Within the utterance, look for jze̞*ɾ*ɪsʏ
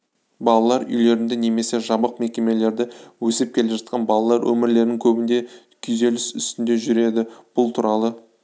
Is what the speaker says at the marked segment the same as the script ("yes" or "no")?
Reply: no